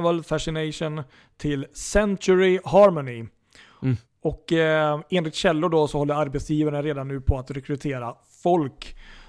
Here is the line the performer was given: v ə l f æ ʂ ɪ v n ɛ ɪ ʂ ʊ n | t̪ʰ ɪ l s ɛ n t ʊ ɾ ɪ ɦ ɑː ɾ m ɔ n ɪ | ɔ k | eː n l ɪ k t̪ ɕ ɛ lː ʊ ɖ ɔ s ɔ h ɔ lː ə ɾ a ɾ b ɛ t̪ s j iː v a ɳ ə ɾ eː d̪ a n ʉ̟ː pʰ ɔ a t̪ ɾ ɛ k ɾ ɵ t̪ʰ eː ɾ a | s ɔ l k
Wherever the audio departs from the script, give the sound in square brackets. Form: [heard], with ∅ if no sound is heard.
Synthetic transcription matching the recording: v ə l f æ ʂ ɪ [∅] n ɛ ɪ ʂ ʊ n | t̪ʰ ɪ l s ɛ n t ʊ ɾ ɪ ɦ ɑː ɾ m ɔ n ɪ | ɔ k | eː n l ɪ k t̪ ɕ ɛ lː ʊ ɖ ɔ s ɔ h ɔ lː ə ɾ a ɾ b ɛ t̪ s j iː v a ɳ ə ɾ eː d̪ a [nː] ʉ̟ː pʰ ɔ a t̪ ɾ ɛ k ɾ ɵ t̪ʰ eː ɾ a | [f] ɔ l k